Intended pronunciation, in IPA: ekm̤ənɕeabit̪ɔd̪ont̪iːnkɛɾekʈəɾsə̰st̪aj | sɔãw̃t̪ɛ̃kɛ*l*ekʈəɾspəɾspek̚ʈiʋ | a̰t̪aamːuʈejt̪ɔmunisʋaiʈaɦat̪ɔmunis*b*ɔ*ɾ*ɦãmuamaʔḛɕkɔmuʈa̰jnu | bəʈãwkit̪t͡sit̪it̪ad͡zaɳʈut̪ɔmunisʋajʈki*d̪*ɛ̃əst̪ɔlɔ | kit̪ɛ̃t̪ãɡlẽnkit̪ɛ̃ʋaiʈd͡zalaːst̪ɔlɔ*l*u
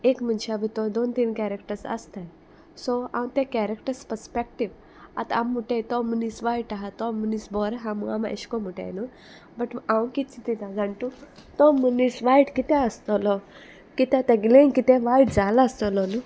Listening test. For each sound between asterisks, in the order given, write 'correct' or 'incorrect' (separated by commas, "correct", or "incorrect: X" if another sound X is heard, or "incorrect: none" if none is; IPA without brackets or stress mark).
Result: incorrect: ɾ, correct, correct, incorrect: t̪, correct